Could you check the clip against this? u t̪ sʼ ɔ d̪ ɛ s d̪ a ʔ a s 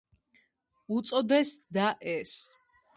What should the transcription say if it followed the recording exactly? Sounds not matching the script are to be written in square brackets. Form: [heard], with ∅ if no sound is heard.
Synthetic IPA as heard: u t̪ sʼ ɔ d̪ ɛ s d̪ a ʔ [ɛ] s